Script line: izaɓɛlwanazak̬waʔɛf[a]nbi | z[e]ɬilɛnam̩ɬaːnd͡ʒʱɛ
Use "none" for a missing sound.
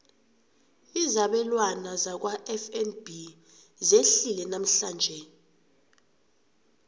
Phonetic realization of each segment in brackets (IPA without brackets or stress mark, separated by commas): ɛ, e